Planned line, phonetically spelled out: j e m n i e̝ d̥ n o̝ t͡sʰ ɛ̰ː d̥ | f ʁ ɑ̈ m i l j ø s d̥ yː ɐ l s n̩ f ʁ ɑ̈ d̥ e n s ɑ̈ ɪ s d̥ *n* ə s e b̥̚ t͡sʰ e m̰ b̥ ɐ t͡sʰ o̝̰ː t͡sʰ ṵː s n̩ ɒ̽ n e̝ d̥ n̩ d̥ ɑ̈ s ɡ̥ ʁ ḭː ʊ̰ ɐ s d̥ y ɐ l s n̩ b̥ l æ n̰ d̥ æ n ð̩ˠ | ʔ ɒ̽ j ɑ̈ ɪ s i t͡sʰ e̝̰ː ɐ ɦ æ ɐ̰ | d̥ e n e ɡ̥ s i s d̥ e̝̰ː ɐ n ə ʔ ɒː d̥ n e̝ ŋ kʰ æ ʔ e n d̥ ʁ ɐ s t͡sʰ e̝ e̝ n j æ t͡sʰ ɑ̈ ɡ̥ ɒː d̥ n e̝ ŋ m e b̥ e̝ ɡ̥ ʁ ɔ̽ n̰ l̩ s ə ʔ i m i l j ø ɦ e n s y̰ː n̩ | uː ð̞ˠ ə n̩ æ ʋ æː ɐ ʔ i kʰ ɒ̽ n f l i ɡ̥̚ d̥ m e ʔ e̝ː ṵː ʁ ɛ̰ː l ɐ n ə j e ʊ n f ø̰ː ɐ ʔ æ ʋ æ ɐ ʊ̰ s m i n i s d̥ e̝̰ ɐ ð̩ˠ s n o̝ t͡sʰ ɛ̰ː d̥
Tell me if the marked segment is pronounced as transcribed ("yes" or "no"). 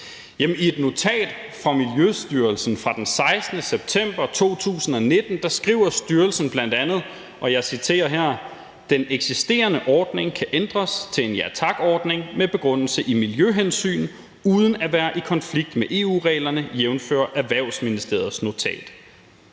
yes